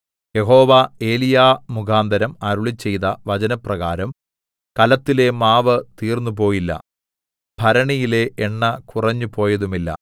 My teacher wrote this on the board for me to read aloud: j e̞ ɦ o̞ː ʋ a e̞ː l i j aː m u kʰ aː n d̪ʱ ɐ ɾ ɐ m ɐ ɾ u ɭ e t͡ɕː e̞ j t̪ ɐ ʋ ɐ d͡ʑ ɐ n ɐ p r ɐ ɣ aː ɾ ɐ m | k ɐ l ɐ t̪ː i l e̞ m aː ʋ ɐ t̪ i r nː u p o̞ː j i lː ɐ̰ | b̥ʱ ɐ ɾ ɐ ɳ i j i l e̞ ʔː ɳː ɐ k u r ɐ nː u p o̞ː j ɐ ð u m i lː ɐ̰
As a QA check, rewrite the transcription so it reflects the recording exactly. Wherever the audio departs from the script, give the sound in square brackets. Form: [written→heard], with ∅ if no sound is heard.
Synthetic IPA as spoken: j e̞ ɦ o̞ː ʋ a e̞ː l i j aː m u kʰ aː n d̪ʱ ɐ ɾ ɐ m ɐ ɾ u ɭ [e→i] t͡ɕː e̞ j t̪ ɐ ʋ ɐ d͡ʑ ɐ n ɐ p r ɐ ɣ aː ɾ ɐ m | k ɐ l ɐ t̪ː i l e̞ m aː ʋ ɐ t̪ [i→iː] r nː u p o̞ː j i lː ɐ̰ | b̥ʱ ɐ ɾ ɐ ɳ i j i l e̞ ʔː ɳː ɐ k u r ɐ [nː→ɲː] u p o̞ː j ɐ ð u m i lː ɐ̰

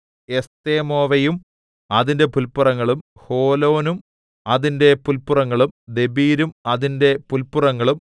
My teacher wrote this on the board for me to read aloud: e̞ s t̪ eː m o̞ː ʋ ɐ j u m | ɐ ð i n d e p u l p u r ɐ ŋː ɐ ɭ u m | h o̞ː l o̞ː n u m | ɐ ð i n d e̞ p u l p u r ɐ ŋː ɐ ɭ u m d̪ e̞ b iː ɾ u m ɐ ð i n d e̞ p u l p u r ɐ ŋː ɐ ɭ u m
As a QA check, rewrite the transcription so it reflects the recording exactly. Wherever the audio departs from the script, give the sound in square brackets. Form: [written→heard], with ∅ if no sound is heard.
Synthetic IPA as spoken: e̞ s t̪ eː m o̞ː ʋ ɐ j u m | ɐ ð i n d e p u l p u r ɐ ŋː ɐ ɭ u m | h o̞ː l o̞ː n u m | ɐ ð i n d e̞ p u l p u r ɐ ŋː ɐ ɭ u m d̪ e̞ b iː ɾ u m ɐ ð i n d e̞ p u l p u r ɐ ŋː ɐ ɭ u m

